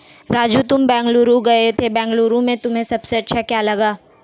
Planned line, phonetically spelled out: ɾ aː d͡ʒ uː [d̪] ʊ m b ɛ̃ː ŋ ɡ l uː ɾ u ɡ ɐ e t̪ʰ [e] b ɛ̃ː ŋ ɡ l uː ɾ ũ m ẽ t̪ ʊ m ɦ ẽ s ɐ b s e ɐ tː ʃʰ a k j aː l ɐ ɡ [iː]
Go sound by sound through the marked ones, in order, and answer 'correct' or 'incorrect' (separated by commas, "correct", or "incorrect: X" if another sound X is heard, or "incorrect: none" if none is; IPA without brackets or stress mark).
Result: incorrect: t̪, correct, incorrect: aː